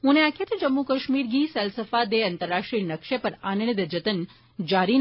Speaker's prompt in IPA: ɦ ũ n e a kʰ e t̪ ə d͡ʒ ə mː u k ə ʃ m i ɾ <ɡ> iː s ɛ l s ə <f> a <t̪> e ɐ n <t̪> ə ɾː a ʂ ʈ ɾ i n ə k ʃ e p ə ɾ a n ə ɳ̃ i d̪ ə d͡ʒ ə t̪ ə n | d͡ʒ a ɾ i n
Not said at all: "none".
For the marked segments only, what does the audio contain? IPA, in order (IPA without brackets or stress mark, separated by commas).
ɡ, f, d̪, t̪